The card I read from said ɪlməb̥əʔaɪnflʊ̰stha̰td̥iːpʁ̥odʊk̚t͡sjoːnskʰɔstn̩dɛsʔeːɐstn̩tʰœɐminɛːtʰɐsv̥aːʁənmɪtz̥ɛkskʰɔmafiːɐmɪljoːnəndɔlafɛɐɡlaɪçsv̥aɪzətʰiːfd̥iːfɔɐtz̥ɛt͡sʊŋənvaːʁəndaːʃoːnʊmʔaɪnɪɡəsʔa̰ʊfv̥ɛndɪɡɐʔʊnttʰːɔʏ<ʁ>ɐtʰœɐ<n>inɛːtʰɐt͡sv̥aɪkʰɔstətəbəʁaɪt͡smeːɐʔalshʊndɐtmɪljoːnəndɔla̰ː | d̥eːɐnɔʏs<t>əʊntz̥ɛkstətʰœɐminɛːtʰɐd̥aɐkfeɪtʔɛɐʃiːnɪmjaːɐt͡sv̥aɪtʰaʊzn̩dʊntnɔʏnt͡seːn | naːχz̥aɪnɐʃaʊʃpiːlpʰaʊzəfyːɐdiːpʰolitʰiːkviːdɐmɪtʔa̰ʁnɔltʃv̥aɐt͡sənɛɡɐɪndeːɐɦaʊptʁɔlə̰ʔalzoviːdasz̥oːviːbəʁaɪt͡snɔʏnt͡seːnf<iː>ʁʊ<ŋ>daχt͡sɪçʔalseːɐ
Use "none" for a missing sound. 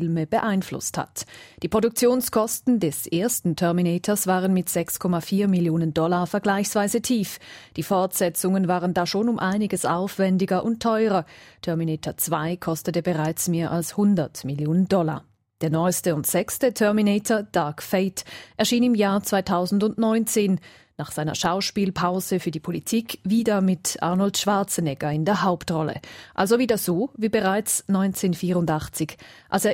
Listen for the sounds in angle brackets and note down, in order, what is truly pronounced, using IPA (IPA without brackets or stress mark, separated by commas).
ʁ, m, t, iː, n